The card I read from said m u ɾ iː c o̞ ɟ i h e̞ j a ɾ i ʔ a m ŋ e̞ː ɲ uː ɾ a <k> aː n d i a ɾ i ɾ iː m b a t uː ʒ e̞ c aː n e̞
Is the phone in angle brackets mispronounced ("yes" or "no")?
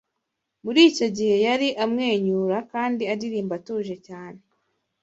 no